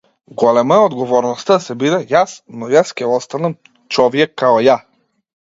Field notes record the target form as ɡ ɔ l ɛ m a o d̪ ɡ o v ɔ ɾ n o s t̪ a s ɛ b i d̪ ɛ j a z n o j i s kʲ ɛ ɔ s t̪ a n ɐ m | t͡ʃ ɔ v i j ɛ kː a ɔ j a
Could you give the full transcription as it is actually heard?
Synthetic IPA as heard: ɡ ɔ l ɛ m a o d̪ ɡ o v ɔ ɾ n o s t̪ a s ɛ b i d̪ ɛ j a s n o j a s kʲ ɛ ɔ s t̪ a n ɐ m | t͡ʃ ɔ v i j ɛ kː a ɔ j a